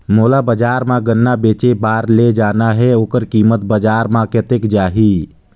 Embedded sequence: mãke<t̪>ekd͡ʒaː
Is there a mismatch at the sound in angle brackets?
no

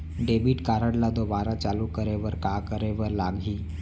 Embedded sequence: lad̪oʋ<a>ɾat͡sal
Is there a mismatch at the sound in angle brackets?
no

